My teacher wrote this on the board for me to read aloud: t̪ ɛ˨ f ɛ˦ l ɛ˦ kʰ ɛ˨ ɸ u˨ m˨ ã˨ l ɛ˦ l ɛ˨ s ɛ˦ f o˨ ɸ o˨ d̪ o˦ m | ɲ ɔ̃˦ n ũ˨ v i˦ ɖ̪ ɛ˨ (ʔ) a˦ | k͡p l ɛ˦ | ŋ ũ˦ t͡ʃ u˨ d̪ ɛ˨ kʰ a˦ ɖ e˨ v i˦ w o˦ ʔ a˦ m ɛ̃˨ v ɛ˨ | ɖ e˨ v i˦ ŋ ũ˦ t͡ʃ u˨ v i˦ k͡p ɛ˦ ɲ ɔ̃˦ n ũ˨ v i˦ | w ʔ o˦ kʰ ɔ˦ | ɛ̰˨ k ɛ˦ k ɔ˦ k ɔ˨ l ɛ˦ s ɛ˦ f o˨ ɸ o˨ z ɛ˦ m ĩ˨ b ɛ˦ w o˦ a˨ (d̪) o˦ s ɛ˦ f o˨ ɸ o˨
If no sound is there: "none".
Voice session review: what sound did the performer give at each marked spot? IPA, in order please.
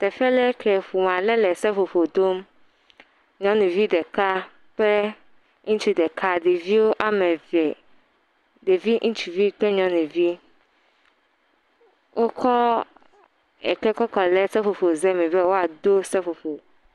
k, d̪

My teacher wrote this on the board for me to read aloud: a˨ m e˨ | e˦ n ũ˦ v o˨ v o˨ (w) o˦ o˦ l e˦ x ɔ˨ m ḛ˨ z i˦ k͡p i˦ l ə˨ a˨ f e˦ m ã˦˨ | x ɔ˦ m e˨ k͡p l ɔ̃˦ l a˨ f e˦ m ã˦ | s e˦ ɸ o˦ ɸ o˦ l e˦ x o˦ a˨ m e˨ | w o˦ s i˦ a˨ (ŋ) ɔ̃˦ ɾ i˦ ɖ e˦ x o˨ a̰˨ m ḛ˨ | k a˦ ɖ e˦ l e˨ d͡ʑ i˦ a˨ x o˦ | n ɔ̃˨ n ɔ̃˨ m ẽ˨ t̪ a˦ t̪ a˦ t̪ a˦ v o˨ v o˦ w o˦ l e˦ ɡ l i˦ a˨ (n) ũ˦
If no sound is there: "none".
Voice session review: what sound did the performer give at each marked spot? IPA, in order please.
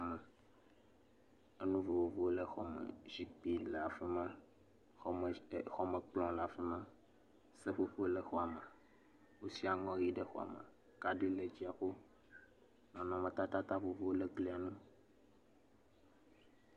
v, ŋ, n

